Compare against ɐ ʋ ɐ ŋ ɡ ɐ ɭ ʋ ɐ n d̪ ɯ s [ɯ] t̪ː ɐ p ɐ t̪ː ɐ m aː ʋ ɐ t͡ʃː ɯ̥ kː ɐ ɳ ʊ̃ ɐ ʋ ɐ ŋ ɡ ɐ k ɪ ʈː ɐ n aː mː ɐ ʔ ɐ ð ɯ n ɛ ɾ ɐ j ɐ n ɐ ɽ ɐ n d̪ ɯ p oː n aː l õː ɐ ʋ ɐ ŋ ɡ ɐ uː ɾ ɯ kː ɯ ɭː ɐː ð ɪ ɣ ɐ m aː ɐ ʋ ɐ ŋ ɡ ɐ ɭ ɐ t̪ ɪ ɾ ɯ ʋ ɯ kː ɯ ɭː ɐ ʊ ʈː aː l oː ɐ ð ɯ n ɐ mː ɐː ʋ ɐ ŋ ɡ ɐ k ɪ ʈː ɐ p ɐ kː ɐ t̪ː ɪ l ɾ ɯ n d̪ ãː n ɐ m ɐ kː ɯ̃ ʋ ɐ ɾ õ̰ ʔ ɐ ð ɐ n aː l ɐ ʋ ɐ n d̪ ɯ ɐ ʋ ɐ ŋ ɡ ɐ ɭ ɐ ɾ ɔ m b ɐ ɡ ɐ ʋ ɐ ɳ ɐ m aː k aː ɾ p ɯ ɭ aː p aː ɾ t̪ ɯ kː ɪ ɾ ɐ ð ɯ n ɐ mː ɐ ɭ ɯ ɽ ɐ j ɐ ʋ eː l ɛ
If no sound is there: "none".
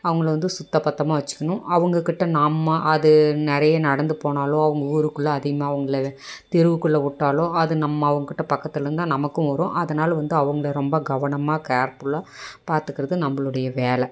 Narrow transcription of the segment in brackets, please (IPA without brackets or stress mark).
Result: ʊ